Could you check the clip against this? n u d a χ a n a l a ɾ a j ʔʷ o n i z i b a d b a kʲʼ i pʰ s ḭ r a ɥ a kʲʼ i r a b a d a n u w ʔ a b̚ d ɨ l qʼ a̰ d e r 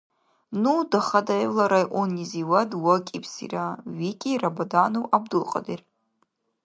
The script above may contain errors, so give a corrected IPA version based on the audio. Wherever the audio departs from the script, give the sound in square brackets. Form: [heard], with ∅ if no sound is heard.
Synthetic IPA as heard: n u d a χ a [d] a l a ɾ a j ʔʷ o n i z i [w] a d [w] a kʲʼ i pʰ s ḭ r a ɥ [i] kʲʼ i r a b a d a n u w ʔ a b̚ d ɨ l qʼ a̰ d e r